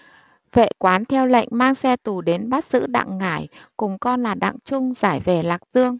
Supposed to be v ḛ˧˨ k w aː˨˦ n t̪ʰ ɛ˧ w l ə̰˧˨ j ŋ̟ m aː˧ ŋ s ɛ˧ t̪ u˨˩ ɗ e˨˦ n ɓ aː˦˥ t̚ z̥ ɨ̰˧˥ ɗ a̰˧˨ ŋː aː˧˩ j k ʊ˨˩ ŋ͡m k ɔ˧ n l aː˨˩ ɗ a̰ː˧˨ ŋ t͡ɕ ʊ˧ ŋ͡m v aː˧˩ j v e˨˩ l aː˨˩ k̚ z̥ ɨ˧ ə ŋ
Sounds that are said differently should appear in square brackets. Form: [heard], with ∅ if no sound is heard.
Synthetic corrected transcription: v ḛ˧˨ k w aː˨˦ n t̪ʰ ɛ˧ w l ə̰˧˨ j ŋ̟ m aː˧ ŋ s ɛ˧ t̪ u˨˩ ɗ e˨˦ n ɓ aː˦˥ t̚ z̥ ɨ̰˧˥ ɗ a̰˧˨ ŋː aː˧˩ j k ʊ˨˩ ŋ͡m k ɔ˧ n l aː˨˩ ɗ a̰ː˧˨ ŋ t͡ɕ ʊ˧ ŋ͡m [z] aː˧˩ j v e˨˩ l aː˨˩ k̚ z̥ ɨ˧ ə ŋ